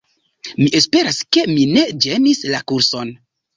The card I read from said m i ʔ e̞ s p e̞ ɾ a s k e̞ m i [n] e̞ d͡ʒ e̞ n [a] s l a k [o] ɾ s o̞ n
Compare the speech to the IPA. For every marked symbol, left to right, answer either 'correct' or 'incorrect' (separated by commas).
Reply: correct, incorrect, incorrect